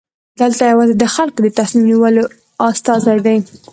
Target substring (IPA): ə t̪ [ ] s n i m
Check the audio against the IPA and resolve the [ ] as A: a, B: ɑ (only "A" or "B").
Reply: A